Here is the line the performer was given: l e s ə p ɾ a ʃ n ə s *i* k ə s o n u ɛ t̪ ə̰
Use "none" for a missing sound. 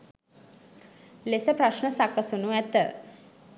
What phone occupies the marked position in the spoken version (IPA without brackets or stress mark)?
a